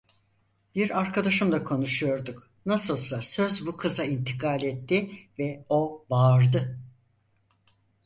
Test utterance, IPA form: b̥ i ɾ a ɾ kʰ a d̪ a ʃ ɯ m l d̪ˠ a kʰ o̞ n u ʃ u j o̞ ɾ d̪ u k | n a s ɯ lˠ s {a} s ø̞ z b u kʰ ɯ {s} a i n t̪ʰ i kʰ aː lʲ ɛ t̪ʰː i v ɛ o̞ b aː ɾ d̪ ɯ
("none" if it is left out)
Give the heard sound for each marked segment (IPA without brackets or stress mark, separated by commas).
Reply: a, z